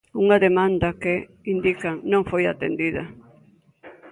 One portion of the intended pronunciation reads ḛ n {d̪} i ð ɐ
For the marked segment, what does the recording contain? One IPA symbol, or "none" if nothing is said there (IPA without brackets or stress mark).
d̪